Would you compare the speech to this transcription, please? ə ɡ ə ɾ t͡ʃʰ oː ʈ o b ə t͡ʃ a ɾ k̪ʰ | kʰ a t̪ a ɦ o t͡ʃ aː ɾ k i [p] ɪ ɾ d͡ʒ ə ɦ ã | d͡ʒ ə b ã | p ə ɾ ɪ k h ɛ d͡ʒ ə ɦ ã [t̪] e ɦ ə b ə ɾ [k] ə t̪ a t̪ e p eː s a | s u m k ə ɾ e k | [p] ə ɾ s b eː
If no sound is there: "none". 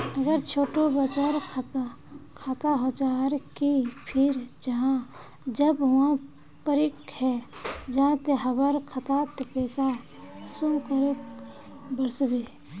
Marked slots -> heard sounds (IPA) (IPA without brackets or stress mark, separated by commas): pʰ, t̪, kʰ, b